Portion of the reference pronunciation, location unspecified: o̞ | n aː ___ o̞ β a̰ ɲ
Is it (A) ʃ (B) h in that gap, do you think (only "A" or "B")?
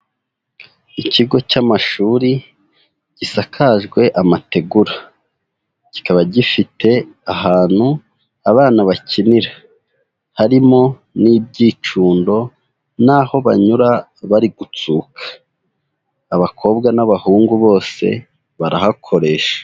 B